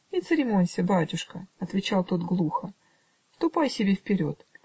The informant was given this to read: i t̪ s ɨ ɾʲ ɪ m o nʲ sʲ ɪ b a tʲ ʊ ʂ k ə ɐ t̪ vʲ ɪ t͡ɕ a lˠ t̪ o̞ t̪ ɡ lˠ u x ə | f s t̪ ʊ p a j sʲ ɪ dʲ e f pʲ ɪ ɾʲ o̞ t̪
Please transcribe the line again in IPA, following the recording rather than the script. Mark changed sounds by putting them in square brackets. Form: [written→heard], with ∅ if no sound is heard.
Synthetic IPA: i t̪ s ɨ ɾʲ ɪ m o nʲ sʲ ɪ b a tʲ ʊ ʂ k ə ɐ t̪ vʲ ɪ t͡ɕ a lˠ t̪ o̞ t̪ ɡ lˠ u x ə | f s t̪ ʊ p a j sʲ ɪ [dʲ→bʲ] e f pʲ ɪ ɾʲ o̞ t̪